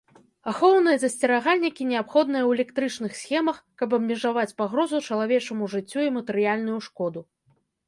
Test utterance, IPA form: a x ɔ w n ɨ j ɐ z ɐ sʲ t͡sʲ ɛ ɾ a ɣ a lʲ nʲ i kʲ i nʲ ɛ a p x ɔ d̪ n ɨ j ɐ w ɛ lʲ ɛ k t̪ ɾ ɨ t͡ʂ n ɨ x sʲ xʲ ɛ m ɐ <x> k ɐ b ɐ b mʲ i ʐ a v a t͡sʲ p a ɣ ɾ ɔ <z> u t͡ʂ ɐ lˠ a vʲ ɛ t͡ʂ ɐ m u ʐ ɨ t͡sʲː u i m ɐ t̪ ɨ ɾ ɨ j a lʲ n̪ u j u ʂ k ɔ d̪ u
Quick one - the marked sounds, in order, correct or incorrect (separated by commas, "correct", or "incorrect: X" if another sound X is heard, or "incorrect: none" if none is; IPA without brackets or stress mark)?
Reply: correct, correct